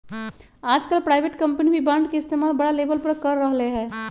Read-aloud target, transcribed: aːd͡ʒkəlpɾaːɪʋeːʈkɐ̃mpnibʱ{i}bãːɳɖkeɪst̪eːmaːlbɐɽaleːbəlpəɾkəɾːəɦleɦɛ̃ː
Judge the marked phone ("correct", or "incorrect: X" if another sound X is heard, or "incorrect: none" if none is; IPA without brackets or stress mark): correct